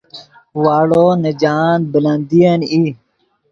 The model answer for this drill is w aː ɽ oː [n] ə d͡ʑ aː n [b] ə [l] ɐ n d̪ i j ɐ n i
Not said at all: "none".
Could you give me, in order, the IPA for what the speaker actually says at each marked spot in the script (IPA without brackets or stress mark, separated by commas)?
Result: n, b, l